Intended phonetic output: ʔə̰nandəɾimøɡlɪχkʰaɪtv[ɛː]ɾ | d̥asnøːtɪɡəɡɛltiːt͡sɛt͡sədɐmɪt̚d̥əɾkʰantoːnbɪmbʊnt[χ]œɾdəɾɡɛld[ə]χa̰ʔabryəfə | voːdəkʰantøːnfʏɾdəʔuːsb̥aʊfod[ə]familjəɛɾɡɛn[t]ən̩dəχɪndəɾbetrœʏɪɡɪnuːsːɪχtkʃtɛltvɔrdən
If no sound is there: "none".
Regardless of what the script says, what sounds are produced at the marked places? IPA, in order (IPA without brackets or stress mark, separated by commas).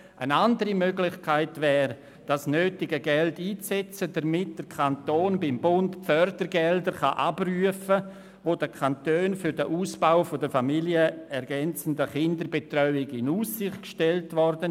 ɛː, f, ə, ə, t͡s